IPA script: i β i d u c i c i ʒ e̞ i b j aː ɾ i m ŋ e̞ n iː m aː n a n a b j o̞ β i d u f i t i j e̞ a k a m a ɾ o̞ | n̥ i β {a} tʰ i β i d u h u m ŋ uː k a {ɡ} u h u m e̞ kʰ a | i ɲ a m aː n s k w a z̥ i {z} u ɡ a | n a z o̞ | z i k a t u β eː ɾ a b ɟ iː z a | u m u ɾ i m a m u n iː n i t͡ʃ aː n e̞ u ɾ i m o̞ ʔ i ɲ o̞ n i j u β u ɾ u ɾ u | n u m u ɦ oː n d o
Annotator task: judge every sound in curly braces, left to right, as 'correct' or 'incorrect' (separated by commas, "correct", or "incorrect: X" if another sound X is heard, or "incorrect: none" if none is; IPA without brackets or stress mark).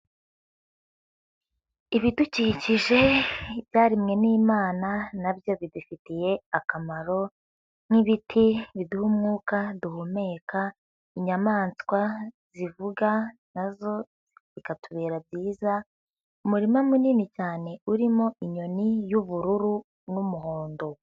incorrect: i, incorrect: d, incorrect: v